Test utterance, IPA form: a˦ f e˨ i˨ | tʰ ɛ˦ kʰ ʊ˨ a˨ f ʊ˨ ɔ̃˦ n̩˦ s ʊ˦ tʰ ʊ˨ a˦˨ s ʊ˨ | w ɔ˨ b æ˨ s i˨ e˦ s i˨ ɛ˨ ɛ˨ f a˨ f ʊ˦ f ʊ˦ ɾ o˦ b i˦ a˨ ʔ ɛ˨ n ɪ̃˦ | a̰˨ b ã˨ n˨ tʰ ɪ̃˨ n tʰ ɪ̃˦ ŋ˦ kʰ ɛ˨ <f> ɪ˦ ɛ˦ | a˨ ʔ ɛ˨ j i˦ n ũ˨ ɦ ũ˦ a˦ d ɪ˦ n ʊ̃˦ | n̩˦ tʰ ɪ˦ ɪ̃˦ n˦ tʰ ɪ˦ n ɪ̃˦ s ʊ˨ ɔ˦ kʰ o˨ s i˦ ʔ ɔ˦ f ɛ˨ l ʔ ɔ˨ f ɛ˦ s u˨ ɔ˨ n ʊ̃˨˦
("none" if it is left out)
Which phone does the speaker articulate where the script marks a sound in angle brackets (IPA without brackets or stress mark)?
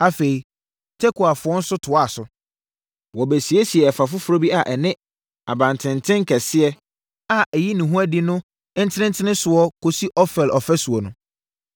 s